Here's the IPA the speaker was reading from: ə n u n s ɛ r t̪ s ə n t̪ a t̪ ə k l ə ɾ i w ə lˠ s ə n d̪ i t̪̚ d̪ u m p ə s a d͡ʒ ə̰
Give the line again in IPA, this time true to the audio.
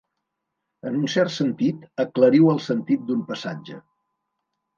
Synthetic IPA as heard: ə n u n s ɛ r t̪ s ə n t̪ i t̪ ə k l ə ɾ i w ə lˠ s ə n t̪ i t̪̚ d̪ u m p ə s a d͡ʒ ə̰